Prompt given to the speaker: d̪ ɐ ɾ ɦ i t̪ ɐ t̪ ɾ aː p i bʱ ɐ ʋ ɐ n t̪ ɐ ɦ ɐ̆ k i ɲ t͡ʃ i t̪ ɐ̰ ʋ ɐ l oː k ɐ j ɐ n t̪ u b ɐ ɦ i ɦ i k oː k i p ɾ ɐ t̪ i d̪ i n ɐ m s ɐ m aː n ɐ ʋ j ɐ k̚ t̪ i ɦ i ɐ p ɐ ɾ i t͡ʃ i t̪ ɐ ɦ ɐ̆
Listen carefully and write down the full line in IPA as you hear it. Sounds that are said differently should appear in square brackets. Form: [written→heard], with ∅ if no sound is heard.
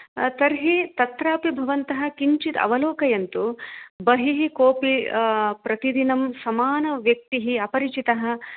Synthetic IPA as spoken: [d̪→t̪] ɐ ɾ ɦ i t̪ ɐ t̪ ɾ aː p i bʱ ɐ ʋ ɐ n t̪ ɐ ɦ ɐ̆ k i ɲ t͡ʃ i t̪ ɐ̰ ʋ ɐ l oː k ɐ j ɐ n t̪ u b ɐ ɦ i ɦ i k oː [k→p] i p ɾ ɐ t̪ i d̪ i n ɐ m s ɐ m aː n ɐ ʋ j ɐ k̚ t̪ i ɦ i ɐ p ɐ ɾ i t͡ʃ i t̪ ɐ ɦ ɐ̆